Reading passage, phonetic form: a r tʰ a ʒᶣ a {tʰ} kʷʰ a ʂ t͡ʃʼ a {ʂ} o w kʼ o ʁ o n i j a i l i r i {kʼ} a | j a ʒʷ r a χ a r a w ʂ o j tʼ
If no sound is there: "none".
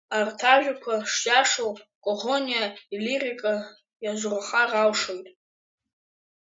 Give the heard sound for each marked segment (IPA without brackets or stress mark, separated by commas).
none, ʂ, kʼ